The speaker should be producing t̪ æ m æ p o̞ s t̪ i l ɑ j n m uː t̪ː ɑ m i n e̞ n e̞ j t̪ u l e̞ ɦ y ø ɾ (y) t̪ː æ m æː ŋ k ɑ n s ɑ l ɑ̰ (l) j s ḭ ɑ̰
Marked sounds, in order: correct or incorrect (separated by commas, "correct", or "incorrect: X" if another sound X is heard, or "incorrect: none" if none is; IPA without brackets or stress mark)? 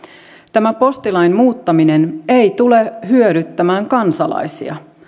correct, incorrect: none